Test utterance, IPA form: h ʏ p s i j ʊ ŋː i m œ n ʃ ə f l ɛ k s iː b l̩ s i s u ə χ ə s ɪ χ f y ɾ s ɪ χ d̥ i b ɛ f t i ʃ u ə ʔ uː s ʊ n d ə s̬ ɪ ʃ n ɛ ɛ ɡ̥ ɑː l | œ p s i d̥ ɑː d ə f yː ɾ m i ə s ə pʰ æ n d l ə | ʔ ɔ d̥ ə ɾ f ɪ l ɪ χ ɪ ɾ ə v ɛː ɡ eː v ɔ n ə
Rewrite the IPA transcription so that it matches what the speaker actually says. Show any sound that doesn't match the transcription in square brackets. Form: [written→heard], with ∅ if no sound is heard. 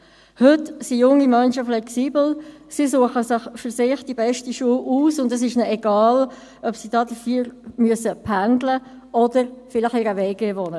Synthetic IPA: h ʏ [p→t] s i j ʊ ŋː i m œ n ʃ ə f l ɛ k s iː b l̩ s i s u ə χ ə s ɪ χ f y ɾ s ɪ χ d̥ i b ɛ [f→ʃ] t i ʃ u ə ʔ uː s ʊ n d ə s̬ ɪ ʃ n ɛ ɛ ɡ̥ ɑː l | œ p s i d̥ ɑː d ə f yː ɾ m [i→y] ə s ə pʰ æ n d l ə | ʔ ɔ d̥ ə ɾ f ɪ l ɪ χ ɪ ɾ ə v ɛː ɡ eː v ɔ n ə